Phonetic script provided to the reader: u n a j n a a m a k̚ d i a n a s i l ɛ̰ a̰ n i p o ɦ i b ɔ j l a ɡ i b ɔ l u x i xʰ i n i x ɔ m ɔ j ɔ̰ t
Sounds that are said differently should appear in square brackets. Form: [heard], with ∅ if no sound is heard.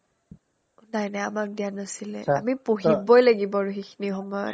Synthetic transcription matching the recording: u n a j n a a m a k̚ d i a n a s i l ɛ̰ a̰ [m] i p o ɦ i b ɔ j l a ɡ i b ɔ [ɹ] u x i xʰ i n i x ɔ m ɔ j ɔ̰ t